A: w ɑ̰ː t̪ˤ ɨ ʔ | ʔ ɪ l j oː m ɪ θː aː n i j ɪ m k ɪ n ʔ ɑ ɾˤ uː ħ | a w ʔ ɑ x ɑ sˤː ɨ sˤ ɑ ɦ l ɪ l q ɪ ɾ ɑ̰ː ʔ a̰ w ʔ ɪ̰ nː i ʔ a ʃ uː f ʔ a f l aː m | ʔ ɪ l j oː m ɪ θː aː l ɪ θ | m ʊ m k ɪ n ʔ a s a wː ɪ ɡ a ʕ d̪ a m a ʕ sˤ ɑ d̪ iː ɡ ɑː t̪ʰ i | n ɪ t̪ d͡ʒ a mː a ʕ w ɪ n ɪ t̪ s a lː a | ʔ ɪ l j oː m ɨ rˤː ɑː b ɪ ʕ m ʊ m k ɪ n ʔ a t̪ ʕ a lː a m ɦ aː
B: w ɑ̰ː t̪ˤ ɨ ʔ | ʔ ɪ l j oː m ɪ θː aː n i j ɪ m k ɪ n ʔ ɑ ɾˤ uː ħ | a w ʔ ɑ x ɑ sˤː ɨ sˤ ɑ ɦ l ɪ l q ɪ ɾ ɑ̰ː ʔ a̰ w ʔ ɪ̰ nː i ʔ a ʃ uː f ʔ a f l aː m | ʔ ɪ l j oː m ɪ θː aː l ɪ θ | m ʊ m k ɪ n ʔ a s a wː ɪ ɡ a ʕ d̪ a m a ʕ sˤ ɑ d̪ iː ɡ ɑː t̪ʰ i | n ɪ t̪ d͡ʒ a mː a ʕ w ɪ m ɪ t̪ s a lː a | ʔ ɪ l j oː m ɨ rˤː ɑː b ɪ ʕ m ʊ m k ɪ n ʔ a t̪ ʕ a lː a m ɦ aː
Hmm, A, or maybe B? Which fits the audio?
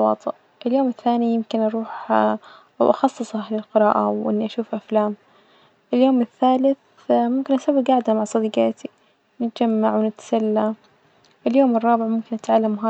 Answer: A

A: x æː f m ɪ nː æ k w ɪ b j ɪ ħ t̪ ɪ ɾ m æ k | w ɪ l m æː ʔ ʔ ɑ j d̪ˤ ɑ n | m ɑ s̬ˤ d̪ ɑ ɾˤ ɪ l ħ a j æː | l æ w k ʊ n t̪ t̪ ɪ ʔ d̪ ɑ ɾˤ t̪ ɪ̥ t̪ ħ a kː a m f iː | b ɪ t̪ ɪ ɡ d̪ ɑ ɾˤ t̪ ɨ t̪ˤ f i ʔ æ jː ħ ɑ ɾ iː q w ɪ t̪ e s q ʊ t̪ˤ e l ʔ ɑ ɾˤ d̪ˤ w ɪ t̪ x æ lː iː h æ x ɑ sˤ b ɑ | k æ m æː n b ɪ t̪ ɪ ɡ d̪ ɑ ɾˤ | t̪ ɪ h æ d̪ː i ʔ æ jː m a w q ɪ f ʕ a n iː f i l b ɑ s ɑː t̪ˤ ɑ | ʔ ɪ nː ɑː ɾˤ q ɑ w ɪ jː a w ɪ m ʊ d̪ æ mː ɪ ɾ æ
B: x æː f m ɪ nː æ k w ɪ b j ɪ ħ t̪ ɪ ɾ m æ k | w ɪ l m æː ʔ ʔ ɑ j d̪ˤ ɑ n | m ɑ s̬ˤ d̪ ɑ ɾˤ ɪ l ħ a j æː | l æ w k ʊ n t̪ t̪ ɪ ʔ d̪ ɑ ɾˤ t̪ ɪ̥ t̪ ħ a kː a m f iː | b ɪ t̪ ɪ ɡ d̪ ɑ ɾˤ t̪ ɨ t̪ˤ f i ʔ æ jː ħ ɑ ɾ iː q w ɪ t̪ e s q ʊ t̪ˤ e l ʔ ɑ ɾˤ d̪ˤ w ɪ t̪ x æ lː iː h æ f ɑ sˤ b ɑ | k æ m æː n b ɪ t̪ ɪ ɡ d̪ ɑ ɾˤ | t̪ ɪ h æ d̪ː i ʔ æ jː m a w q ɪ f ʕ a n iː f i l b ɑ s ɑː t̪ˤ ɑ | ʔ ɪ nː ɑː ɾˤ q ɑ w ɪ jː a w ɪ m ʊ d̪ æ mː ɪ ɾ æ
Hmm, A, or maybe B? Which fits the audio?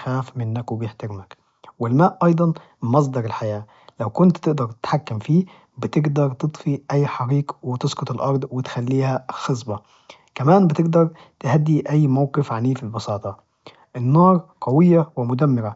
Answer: A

